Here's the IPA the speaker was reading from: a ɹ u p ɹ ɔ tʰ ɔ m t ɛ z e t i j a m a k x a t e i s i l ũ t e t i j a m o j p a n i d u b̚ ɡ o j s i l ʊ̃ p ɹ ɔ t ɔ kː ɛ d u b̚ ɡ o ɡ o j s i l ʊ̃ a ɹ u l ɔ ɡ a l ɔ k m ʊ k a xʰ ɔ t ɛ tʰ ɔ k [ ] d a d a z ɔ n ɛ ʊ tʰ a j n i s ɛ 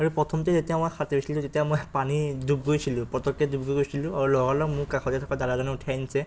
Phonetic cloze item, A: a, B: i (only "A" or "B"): A